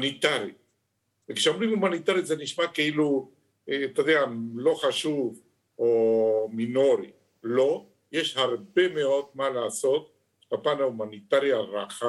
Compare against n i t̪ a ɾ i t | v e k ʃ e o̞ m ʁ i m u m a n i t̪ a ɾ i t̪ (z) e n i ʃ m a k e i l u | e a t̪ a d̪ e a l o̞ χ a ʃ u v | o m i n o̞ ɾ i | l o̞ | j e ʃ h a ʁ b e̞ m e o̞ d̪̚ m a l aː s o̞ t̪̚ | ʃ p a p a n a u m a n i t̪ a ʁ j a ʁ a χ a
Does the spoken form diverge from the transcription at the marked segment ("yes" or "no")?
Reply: no